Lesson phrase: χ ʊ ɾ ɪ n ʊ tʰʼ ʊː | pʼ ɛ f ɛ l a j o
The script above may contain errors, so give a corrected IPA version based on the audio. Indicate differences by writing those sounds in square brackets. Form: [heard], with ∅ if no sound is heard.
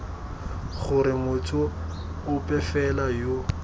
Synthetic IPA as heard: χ ʊ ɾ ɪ [m] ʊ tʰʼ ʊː | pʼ ɛ f ɛ l a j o